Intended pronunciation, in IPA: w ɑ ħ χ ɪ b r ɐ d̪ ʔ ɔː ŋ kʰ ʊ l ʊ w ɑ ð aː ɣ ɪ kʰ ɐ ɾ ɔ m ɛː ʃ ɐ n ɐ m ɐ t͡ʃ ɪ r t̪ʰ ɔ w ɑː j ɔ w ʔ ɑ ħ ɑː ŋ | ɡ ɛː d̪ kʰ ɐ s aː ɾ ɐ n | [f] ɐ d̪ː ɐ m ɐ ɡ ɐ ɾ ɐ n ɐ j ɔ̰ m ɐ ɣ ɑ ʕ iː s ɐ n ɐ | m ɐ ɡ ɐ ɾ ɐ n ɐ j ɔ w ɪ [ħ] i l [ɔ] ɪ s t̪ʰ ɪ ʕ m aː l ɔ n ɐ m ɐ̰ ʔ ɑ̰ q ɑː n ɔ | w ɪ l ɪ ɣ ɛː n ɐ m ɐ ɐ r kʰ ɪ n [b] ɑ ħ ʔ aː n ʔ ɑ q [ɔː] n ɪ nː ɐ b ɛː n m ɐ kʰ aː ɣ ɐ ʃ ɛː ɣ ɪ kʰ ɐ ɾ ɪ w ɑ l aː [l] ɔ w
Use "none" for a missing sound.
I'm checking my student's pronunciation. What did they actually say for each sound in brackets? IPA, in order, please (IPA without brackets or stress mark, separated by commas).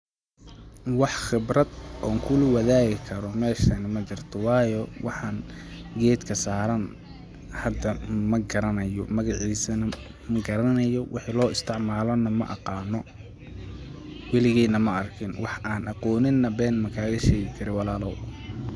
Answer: h, ħ, ɔː, w, ɔː, l